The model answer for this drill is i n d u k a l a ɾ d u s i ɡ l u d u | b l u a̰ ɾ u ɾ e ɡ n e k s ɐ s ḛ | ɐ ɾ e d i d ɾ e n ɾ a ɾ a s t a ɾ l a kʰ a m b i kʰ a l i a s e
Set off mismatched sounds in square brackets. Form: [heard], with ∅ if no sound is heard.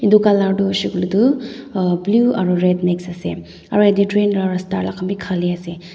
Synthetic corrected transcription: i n d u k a l a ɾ d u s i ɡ l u d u | b l u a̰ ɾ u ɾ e [d] n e k s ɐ s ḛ | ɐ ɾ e d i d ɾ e n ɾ a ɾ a s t a ɾ l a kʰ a m b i kʰ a l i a s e